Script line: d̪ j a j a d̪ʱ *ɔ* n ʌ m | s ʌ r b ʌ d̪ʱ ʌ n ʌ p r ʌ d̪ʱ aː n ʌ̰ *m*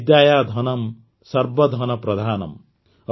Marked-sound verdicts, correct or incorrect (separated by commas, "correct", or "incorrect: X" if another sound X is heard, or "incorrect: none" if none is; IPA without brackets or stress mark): incorrect: ʌ, correct